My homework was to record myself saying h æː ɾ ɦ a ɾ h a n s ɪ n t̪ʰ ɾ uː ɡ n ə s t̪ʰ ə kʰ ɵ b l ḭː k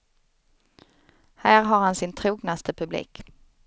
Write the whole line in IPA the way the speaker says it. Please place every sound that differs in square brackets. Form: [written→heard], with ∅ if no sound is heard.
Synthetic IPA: h æː ɾ ɦ a ɾ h a n s ɪ n t̪ʰ ɾ uː ɡ n [ə→a] s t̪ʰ ə [kʰ→pʰ] ɵ b l ḭː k